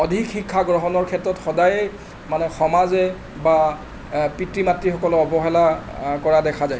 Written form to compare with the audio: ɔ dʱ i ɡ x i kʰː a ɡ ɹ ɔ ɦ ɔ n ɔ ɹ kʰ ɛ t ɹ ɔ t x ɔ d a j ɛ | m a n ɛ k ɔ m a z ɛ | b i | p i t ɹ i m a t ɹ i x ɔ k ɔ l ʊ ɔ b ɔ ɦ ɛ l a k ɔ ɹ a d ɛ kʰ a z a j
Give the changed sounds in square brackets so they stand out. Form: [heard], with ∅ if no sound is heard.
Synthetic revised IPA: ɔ dʱ i [k] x i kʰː a ɡ ɹ ɔ ɦ ɔ n ɔ ɹ kʰ ɛ t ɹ ɔ t x ɔ d a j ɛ | m a n ɛ [x] ɔ m a z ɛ | b [a] | p i t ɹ i m a t ɹ i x ɔ k ɔ l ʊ ɔ b ɔ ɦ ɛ l a k ɔ ɹ a d ɛ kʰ a z a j